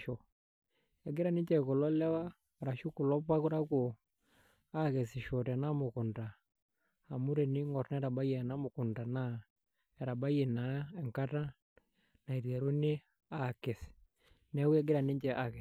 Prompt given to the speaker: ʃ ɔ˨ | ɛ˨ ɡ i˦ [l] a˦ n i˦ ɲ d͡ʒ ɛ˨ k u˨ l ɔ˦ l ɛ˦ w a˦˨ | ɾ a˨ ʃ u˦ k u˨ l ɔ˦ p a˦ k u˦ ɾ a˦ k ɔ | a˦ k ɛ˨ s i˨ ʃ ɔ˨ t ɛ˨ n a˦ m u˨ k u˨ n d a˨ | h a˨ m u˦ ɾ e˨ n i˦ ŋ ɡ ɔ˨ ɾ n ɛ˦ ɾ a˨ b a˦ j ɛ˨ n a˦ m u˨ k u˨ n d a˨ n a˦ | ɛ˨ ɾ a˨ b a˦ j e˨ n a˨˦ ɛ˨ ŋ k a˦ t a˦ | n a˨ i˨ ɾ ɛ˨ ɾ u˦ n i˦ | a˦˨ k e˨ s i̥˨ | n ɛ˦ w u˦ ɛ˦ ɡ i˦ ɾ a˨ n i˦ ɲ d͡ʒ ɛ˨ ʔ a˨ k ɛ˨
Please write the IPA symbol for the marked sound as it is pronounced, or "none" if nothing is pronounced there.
ɾ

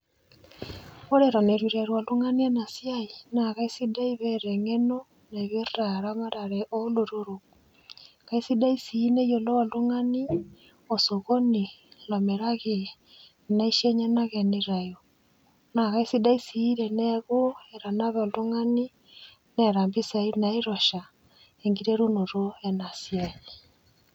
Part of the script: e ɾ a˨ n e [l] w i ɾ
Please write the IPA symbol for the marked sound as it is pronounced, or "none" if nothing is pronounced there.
ɾ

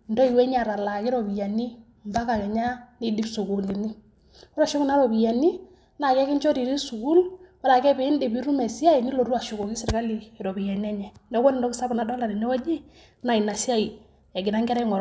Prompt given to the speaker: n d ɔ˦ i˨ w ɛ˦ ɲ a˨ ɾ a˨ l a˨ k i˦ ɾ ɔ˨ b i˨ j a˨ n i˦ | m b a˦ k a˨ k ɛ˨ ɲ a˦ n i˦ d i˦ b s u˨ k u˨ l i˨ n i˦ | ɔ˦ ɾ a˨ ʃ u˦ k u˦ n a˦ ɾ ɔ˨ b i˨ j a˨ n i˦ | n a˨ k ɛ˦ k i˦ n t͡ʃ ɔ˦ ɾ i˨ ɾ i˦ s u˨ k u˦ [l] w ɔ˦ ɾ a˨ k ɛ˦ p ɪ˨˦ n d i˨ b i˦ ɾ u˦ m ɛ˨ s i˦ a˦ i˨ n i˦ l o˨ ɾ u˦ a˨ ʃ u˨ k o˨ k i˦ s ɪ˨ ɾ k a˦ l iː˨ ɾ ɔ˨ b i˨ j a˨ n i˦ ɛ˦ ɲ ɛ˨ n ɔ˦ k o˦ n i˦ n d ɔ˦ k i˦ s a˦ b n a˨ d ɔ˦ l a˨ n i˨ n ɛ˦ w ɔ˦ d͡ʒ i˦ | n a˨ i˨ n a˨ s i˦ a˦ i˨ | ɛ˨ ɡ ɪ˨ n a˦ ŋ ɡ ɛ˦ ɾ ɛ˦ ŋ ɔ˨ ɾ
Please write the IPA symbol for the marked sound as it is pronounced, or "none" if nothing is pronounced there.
l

